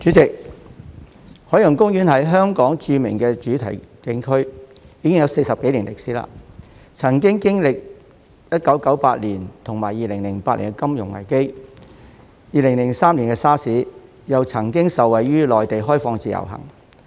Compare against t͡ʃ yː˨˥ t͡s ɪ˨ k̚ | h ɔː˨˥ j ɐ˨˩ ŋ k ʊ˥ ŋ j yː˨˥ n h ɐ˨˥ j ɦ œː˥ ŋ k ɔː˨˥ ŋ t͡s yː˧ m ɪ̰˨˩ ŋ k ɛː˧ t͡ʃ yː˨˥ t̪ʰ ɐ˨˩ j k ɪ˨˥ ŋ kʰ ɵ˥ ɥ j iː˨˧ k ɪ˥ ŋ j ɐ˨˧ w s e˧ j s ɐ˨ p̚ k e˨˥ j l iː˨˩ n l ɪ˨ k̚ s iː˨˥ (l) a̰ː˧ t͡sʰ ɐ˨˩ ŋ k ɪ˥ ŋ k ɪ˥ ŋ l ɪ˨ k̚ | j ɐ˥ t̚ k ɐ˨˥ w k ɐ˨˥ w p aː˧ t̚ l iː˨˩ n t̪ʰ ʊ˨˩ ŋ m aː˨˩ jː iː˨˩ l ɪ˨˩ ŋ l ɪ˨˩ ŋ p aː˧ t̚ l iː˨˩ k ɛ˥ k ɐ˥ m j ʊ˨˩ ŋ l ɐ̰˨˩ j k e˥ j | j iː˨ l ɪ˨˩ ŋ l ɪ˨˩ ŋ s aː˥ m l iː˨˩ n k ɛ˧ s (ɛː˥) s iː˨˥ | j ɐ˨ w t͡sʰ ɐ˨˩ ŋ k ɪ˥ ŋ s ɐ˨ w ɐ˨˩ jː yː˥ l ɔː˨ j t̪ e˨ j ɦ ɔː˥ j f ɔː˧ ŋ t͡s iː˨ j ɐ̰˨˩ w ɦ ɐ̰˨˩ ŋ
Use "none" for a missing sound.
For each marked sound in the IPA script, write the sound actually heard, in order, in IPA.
l, aː˥

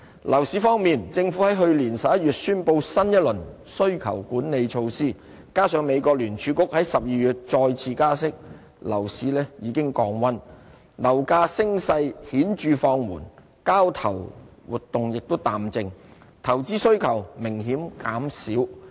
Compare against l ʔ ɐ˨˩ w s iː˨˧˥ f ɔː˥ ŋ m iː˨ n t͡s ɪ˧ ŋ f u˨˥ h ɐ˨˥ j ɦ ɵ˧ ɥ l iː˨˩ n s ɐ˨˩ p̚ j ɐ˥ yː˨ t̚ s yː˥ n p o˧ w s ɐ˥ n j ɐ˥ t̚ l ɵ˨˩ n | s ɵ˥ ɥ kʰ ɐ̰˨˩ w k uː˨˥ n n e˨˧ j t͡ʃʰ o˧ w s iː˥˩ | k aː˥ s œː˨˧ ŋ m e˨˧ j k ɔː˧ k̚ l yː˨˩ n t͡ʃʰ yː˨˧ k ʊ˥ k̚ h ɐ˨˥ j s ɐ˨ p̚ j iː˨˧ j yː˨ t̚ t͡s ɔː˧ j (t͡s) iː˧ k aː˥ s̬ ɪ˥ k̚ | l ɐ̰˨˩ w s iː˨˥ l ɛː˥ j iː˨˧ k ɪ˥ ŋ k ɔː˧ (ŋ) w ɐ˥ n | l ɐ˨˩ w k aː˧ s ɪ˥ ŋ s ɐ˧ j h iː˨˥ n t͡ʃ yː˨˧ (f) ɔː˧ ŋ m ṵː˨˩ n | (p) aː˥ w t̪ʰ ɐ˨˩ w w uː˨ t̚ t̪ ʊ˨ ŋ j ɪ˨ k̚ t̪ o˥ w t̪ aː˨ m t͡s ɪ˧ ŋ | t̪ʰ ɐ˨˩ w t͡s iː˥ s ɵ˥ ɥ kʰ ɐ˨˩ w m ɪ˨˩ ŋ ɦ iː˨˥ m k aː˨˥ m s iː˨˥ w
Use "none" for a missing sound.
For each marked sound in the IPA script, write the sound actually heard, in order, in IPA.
t͡sʰ, ŋ, f, k

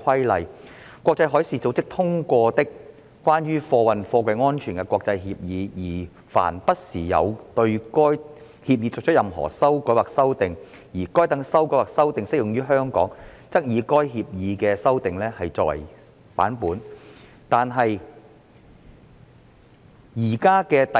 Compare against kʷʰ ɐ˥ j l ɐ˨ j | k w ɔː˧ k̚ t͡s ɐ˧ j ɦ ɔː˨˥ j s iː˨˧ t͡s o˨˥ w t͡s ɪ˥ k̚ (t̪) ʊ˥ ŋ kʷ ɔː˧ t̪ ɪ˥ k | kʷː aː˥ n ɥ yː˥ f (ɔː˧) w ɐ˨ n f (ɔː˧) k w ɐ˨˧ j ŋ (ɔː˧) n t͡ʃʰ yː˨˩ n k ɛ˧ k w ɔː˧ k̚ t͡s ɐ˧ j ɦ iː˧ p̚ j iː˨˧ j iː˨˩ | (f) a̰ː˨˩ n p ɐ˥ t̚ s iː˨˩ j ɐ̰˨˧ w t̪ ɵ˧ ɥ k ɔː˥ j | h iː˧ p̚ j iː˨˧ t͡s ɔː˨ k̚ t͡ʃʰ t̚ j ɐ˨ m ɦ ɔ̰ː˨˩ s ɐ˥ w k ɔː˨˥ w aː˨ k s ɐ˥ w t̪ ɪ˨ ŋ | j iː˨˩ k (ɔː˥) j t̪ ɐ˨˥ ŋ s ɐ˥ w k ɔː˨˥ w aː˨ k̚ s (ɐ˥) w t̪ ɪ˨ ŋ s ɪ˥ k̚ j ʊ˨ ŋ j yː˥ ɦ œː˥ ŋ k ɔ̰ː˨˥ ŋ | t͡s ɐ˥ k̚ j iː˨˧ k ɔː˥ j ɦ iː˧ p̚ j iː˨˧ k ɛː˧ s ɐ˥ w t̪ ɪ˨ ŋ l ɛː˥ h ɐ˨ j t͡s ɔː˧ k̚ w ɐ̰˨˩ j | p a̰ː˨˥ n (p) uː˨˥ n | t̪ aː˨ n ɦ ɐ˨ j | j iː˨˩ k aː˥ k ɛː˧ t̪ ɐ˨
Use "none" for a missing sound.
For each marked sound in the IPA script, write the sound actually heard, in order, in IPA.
t̪ʰ, ɔː˧, ɔː˧, ɔː˥, f, ɔː˥, ɐ˥, p

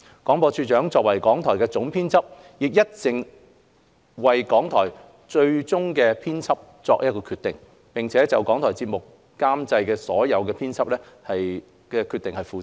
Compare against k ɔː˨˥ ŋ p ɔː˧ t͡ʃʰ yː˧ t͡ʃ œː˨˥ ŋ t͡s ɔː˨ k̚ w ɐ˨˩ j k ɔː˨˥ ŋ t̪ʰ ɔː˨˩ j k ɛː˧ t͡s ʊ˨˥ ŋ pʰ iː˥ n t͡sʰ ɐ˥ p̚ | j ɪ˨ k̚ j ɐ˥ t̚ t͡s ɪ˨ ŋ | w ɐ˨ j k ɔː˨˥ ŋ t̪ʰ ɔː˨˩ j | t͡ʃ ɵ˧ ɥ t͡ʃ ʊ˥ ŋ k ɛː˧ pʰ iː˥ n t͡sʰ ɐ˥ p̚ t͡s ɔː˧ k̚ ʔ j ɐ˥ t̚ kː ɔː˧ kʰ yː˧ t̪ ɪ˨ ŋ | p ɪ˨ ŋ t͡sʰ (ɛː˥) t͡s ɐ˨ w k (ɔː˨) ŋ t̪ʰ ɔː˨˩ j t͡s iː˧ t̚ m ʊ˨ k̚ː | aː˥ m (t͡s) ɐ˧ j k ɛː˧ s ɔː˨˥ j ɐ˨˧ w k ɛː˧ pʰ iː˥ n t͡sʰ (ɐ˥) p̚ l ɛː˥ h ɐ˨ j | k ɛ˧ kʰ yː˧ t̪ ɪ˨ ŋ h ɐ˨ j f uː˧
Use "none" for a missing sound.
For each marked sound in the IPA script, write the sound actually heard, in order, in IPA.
ɛː˨˥, ɔː˨˥, t͡s, ɐ˥

